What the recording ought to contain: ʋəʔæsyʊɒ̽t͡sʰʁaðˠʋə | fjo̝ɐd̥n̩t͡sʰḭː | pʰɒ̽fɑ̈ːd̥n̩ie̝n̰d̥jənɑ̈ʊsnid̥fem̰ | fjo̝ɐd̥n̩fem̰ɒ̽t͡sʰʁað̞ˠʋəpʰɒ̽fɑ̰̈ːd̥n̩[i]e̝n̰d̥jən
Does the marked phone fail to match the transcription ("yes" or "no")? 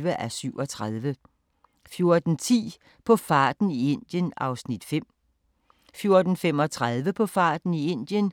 no